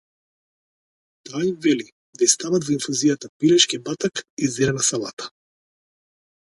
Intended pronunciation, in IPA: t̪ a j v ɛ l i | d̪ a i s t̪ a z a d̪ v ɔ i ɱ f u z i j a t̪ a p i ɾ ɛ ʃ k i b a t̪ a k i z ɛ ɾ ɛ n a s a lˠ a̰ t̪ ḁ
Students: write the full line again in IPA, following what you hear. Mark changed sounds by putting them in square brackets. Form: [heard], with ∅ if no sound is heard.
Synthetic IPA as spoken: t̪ a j v ɛ l i | d̪ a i s t̪ a [v] a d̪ v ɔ i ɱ f u z i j a t̪ a p i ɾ ɛ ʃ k i b a t̪ a k i z ɛ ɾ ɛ n a s a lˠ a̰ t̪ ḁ